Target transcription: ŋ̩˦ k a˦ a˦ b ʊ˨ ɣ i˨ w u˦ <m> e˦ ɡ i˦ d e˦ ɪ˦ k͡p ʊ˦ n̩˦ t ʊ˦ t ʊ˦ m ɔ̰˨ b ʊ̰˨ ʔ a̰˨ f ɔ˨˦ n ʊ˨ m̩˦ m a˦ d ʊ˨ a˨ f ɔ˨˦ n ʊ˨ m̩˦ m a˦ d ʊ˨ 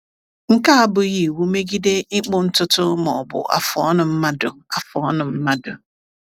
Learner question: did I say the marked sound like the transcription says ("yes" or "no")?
yes